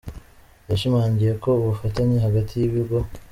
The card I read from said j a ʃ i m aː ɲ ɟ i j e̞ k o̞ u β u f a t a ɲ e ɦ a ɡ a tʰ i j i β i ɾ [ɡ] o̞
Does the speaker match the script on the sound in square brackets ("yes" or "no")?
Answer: yes